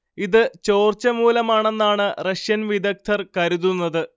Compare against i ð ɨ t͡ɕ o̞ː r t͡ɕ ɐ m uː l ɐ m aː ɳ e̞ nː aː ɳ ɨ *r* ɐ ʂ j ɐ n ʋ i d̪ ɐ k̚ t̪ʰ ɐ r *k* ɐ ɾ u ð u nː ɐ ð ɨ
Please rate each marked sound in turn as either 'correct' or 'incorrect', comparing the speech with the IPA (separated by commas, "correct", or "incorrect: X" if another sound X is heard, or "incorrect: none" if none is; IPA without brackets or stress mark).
correct, correct